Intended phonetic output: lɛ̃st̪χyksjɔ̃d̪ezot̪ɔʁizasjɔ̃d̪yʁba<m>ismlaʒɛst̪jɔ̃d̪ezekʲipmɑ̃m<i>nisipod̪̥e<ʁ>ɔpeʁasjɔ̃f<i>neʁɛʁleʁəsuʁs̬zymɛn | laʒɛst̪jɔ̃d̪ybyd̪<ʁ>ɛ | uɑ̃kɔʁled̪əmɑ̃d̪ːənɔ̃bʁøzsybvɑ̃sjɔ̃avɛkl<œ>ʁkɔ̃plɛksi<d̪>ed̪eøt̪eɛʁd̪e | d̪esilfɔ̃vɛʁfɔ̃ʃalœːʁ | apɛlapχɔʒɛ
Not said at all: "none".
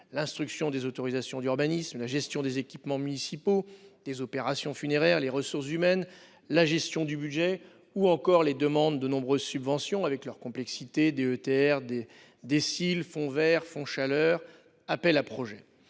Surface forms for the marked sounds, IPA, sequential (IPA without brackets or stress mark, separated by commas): n, y, z, y, ʒ, œ, t̪